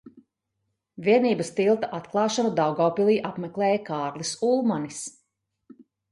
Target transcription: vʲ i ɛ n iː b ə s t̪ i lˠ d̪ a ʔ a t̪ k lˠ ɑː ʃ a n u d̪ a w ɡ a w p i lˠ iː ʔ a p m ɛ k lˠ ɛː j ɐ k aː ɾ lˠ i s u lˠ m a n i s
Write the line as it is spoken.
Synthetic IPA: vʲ i ɛ n iː b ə s t̪ i lˠ t̪ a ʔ a t̪ k lˠ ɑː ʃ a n u d̪ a w ɡ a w p i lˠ iː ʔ a p m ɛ k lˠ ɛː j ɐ k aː ɾ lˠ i s u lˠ m a n i s